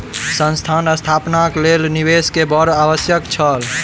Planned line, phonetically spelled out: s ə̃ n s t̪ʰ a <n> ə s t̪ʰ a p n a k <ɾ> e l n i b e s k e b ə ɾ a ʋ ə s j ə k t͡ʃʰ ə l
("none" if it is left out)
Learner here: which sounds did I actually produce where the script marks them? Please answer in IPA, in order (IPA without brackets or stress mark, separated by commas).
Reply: n, l